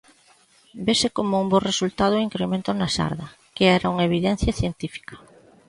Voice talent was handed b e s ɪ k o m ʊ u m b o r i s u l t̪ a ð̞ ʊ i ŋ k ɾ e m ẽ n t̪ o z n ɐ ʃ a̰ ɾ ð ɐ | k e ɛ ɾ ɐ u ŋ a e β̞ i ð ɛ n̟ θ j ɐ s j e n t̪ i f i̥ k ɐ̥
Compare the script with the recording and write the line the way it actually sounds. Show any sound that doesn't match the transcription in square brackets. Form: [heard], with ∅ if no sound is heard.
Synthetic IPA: b e s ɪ k o m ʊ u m b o r [e] s u l t̪ a ð̞ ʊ i ŋ k ɾ e m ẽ n t̪ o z n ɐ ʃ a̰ ɾ ð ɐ | k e ɛ ɾ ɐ u ŋ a e β̞ i ð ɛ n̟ θ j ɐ [θ] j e n t̪ i f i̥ k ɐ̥